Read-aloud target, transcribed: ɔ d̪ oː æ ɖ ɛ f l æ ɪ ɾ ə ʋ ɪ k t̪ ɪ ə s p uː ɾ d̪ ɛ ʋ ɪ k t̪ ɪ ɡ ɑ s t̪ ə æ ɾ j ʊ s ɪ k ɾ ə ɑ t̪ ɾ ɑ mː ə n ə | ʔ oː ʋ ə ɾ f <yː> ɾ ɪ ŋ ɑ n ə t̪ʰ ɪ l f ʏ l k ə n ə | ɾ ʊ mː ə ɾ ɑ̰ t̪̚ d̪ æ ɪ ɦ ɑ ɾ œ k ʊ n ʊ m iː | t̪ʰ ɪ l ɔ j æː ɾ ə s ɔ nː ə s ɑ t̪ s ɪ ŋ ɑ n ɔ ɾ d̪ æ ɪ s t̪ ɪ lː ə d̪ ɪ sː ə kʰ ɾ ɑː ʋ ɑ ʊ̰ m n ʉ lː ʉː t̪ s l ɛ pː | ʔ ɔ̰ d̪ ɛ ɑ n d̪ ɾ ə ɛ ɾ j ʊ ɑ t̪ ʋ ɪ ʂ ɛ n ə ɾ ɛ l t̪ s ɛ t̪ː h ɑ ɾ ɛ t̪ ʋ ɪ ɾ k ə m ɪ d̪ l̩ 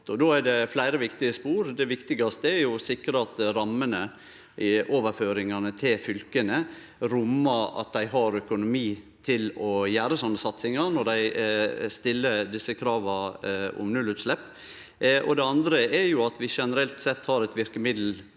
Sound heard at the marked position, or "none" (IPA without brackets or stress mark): øː